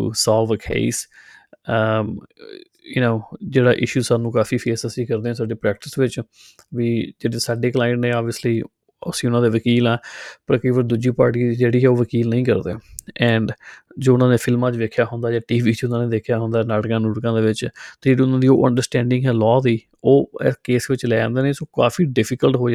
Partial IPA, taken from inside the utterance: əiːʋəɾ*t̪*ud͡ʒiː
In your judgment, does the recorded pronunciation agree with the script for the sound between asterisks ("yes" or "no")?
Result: no